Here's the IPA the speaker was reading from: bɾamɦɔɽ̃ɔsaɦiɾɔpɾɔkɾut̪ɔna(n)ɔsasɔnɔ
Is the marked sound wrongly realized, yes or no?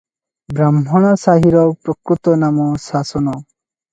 yes